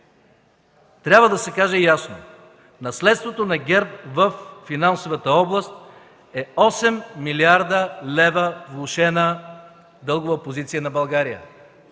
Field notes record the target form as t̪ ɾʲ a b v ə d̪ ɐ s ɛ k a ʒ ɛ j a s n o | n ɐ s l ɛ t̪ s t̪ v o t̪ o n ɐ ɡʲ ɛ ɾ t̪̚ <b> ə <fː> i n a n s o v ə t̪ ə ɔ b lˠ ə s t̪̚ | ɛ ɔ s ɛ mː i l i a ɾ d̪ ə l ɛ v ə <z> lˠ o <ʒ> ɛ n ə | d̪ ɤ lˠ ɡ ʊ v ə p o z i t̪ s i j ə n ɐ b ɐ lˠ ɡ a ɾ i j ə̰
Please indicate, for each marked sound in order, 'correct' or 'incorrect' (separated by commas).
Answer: incorrect, correct, incorrect, incorrect